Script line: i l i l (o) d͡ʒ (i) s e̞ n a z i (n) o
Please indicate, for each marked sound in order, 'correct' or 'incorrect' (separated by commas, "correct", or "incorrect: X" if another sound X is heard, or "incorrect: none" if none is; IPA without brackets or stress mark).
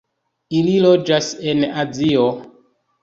correct, incorrect: a, incorrect: none